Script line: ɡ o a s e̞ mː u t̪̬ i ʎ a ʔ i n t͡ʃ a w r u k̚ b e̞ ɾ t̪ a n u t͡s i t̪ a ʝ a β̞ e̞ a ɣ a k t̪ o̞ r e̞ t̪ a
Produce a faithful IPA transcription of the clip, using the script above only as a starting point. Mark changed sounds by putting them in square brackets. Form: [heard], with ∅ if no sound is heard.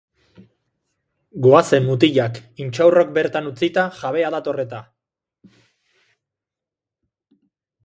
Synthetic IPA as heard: ɡ o a s e̞ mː u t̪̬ i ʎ a [k] i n t͡ʃ a w r [o] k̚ b e̞ ɾ t̪ a n u t͡s i t̪ a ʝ a β̞ e̞ a [ð] a [∅] t̪ o̞ r e̞ t̪ a

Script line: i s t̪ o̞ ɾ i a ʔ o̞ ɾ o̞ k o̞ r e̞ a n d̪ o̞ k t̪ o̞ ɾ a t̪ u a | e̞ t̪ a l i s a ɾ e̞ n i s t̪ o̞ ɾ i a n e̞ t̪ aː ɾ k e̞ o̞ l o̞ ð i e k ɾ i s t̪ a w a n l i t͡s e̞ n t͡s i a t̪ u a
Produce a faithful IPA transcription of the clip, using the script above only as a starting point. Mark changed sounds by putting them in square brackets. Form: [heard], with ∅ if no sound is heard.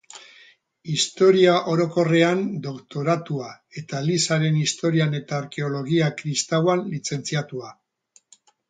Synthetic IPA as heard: i s t̪ o̞ ɾ i a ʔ o̞ ɾ o̞ k o̞ r e̞ a n d̪ o̞ k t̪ o̞ ɾ a t̪ u a | e̞ t̪ a l i s a ɾ e̞ n i s t̪ o̞ ɾ i a n e̞ t̪ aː ɾ k e̞ o̞ l o̞ [ɣ] i [a] k ɾ i s t̪ a w a n l i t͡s e̞ n t͡s i a t̪ u a

